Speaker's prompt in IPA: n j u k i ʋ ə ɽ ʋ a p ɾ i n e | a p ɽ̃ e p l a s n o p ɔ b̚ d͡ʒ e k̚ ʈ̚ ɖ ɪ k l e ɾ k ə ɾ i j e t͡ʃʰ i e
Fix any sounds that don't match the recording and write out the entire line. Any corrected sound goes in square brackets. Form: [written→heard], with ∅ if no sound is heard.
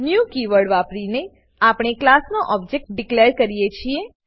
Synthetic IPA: n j u k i ʋ ə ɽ ʋ a p ɾ i n e | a p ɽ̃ e [p→k] l a s n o [p→ʔ] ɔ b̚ d͡ʒ e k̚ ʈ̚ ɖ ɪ k l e ɾ k ə ɾ i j e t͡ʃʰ i e